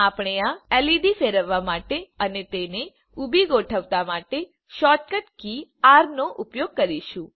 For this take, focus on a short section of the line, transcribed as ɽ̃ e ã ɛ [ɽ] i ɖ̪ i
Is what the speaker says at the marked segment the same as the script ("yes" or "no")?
no